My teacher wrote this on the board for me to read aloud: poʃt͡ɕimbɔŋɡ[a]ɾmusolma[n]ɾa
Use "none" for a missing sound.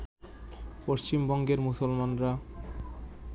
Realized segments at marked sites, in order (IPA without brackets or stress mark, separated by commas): e, n